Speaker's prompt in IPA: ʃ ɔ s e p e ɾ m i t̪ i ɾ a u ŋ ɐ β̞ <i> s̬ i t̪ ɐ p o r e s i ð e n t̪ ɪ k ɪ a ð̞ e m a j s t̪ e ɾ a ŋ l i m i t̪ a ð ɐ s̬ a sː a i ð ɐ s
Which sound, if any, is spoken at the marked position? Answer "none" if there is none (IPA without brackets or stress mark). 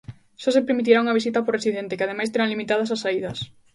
i